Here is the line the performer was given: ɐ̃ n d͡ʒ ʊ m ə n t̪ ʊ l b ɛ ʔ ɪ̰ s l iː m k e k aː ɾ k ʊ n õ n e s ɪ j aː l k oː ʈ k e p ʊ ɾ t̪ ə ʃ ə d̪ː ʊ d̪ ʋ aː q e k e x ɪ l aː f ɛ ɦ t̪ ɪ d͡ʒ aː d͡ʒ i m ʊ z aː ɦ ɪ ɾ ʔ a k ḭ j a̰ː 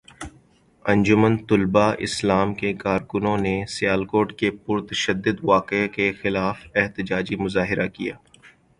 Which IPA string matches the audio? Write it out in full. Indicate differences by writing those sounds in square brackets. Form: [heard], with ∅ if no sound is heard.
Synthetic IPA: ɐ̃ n d͡ʒ ʊ m ə n t̪ ʊ l b [a] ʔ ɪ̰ s l [aː] m k e k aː ɾ k ʊ n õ n e s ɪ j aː l k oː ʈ k e p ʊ ɾ t̪ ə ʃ ə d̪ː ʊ d̪ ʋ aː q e k e x ɪ l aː f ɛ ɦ t̪ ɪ d͡ʒ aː d͡ʒ i m ʊ z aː ɦ ɪ ɾ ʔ a k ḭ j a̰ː